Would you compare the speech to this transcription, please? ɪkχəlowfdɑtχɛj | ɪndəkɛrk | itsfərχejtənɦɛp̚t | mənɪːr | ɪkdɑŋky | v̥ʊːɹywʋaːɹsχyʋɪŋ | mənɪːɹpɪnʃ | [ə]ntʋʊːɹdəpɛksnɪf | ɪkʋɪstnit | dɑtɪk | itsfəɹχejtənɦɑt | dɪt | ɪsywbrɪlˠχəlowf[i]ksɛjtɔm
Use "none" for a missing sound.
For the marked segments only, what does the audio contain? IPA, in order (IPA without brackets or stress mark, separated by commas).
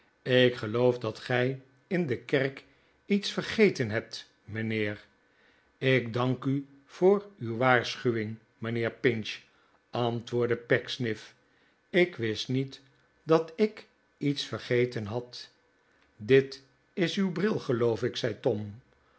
ɑ, ɪ